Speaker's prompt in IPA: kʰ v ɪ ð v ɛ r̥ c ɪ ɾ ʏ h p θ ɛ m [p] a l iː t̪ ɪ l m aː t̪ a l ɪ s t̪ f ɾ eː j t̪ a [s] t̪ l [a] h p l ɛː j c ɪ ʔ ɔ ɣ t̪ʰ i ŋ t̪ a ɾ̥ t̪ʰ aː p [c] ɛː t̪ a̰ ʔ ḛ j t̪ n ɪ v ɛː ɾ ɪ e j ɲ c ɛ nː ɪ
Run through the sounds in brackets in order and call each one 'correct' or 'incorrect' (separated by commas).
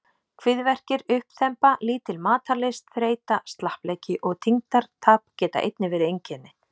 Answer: correct, correct, correct, correct